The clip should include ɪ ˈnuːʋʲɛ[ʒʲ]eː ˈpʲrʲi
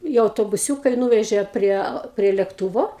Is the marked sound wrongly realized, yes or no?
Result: no